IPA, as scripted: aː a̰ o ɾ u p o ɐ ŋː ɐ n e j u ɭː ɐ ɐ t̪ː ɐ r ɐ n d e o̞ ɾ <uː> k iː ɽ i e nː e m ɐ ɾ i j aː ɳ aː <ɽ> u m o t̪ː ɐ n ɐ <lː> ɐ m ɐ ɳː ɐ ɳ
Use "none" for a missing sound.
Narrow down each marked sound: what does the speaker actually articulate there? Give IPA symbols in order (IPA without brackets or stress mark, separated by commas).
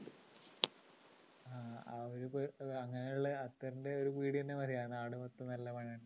u, ɽ, lː